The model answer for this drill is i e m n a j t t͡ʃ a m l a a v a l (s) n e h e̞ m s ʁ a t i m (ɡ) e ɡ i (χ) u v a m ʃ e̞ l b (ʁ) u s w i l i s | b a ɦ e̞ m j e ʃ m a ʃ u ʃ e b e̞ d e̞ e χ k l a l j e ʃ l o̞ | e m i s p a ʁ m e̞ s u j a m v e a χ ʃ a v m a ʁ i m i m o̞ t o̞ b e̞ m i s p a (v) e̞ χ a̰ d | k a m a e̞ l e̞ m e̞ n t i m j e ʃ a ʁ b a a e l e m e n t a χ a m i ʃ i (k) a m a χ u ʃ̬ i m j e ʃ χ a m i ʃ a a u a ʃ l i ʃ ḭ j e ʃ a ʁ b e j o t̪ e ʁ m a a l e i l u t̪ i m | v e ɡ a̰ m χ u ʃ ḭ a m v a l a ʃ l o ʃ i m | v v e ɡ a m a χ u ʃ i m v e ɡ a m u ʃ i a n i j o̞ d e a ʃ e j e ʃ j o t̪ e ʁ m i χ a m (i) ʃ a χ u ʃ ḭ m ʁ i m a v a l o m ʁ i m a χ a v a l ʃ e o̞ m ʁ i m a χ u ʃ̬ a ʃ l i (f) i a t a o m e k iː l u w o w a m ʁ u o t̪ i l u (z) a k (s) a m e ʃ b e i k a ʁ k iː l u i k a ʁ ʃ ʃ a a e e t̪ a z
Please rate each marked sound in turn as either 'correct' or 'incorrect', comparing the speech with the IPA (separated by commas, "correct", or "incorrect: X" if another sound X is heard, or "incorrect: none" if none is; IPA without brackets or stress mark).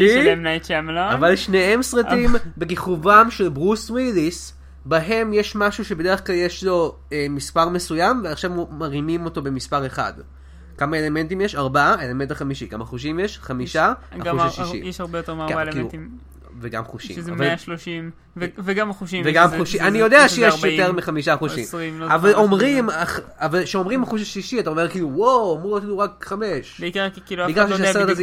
incorrect: ʃ, incorrect: b, correct, correct, incorrect: ʁ, correct, correct, incorrect: ʃ, incorrect: ʁ, incorrect: χ